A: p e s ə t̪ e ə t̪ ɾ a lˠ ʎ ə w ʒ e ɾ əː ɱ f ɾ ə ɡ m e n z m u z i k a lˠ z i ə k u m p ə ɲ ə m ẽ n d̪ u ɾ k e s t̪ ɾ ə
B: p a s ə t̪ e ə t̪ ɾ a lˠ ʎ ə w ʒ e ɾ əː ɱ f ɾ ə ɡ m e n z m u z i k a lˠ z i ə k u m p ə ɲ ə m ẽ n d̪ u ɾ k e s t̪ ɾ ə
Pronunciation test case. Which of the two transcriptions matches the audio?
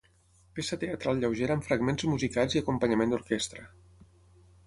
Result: A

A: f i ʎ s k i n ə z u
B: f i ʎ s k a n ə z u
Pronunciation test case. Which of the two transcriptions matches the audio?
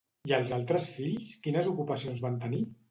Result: A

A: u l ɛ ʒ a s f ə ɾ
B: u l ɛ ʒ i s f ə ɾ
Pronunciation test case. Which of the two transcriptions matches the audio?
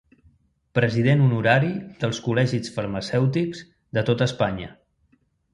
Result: B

